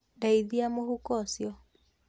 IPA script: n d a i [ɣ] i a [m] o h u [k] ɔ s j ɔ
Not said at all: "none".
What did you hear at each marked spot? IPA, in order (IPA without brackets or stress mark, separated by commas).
ð, m, k